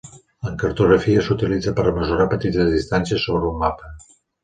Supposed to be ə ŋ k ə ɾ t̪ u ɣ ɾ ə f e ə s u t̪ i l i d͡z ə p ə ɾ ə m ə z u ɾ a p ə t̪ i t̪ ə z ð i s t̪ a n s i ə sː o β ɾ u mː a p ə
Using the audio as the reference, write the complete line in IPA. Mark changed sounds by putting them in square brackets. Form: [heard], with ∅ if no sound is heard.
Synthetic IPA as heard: ə ŋ k ə ɾ t̪ u ɣ ɾ ə f [i] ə s u t̪ i l i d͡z ə p ə ɾ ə m ə z u ɾ a p ə t̪ i t̪ ə z ð i s t̪ a n s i ə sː o β ɾ u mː a p ə